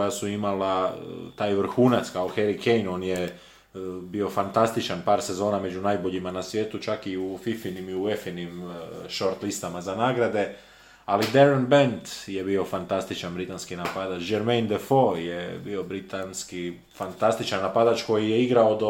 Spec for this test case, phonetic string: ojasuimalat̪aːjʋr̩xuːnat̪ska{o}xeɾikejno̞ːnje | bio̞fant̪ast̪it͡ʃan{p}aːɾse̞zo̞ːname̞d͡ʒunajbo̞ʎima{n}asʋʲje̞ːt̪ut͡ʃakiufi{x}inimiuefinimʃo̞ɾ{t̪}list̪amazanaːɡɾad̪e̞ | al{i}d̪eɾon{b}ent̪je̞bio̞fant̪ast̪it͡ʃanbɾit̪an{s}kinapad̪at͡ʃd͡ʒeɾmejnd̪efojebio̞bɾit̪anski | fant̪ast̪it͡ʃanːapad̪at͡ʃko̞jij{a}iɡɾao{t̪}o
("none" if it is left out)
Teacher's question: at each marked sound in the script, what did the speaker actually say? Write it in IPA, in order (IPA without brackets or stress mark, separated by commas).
o, p, n, f, t̪, i, b, s, e, d̪